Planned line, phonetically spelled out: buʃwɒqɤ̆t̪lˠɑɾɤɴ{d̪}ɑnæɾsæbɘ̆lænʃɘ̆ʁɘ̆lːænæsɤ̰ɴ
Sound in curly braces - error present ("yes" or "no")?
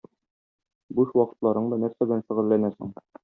no